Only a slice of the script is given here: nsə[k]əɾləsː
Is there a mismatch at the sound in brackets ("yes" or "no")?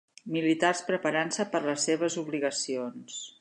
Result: yes